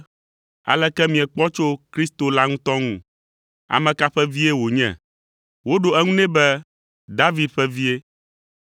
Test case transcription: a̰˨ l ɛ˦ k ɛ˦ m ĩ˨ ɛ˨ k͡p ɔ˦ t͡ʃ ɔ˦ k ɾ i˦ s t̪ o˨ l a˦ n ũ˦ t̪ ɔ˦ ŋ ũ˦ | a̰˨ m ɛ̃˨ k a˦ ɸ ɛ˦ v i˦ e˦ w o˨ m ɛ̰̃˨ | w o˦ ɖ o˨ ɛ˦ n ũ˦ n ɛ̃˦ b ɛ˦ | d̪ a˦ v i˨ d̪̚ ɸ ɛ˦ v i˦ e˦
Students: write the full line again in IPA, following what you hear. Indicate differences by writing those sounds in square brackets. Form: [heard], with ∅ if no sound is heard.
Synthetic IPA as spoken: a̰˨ l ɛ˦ k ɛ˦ m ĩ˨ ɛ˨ k͡p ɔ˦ t͡ʃ [o˦] k ɾ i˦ s t̪ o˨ l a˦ [ŋ] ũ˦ t̪ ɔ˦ ŋ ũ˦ | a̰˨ m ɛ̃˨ k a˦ ɸ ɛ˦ v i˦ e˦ w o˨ [ɲ] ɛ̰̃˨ | w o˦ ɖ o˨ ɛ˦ [ŋ] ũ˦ n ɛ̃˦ b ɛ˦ | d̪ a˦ v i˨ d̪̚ ɸ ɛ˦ v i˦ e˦